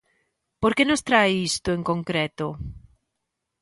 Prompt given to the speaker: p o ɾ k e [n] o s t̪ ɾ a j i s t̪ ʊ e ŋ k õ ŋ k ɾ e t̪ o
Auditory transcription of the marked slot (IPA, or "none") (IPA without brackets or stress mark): n